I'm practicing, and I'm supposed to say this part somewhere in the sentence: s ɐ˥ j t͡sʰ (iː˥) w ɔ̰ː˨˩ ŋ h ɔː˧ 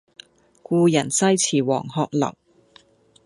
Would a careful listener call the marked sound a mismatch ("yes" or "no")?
yes